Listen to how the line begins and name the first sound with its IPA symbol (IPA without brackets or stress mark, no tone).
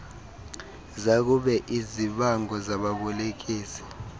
z